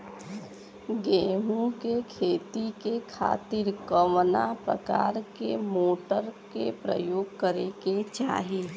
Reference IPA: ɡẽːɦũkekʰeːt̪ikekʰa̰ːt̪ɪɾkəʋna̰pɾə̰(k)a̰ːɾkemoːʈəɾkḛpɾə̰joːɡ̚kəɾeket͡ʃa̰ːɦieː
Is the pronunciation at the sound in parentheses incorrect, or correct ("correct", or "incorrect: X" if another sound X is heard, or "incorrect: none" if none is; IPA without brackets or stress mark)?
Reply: correct